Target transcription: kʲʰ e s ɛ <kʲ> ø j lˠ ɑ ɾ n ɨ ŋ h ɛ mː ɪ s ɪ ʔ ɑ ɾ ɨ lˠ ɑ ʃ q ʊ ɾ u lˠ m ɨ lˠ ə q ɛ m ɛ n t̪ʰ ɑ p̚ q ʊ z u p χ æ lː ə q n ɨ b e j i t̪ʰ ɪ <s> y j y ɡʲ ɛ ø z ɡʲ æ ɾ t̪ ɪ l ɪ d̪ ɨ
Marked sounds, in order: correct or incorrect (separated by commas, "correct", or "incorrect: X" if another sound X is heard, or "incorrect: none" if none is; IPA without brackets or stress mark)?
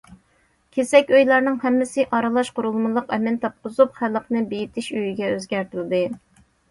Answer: correct, incorrect: ʃ